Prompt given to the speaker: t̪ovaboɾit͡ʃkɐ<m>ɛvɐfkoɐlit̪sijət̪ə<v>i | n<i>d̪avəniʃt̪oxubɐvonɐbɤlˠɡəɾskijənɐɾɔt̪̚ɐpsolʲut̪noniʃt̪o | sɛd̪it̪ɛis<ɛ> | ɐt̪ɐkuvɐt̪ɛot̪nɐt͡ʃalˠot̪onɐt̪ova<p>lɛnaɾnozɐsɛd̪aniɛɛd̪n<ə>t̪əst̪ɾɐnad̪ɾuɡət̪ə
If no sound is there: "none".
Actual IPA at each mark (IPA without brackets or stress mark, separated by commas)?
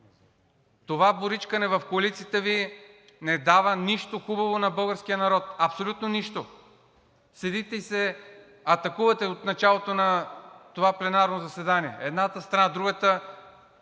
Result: n, v, ɛ, ɛ, p, a